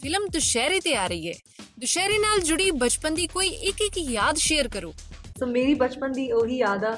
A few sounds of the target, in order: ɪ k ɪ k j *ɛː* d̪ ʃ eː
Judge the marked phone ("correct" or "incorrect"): incorrect